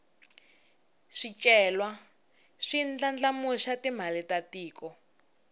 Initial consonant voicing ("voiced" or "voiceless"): voiceless